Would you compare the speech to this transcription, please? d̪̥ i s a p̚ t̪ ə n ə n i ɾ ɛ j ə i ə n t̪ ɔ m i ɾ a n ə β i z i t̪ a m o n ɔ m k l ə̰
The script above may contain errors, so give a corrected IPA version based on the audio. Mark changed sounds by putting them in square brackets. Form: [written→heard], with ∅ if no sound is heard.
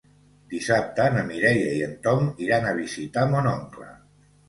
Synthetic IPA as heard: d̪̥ i s a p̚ t̪ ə n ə [n→m] i ɾ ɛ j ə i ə n t̪ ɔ m i ɾ a n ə β i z i t̪ a m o n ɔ [m→ŋ] k l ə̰